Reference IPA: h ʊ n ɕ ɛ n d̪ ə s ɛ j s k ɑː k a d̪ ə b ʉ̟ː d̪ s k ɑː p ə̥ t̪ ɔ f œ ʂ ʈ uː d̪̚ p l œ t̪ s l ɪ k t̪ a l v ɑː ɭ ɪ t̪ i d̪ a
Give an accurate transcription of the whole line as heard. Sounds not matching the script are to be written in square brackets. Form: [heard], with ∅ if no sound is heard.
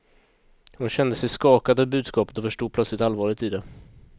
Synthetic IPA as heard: h ʊ n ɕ ɛ n d̪ ə s ɛ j s k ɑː k a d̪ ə b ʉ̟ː d̪ s k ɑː p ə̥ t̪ ɔ f œ ʂ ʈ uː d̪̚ p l œ t̪ s l ɪ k t̪ a l v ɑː ɭ ɪ t̪ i d̪ [ɛ]